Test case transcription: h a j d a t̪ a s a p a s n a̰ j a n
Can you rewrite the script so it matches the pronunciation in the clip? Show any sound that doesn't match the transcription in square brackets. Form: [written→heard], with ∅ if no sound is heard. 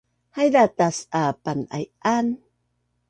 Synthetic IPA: h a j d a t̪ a s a p a [s→∅] n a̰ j a n